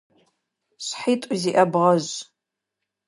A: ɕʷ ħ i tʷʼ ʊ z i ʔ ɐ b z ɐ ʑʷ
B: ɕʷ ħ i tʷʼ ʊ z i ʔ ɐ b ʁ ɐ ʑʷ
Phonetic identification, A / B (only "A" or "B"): B